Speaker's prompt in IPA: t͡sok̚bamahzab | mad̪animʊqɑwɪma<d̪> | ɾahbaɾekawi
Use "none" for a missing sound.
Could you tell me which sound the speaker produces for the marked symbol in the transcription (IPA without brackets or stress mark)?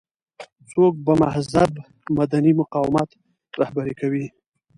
t̪